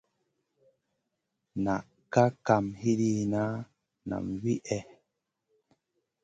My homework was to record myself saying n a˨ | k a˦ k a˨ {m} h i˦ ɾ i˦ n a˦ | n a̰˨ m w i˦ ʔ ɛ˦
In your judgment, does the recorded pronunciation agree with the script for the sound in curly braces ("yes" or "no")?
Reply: yes